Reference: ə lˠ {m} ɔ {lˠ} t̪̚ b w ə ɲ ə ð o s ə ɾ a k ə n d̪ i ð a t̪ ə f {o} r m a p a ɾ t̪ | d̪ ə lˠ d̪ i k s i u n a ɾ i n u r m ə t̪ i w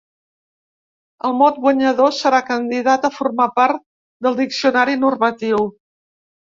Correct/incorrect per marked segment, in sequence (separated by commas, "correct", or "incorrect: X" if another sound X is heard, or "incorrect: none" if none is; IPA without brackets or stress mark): correct, incorrect: none, incorrect: u